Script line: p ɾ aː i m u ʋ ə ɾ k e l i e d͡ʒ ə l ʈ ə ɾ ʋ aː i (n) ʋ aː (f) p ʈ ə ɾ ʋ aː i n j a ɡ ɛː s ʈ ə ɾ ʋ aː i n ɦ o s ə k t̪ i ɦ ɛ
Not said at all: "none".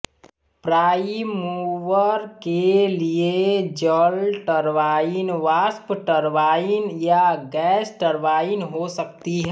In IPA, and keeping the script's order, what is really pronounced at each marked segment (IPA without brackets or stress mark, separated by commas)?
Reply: n, s